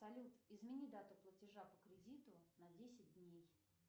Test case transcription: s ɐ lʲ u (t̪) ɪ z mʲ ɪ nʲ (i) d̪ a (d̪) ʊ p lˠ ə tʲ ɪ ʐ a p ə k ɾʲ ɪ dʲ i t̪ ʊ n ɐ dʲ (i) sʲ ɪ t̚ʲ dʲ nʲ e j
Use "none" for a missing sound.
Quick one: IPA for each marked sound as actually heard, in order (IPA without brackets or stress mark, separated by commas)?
t̪, i, t̪, e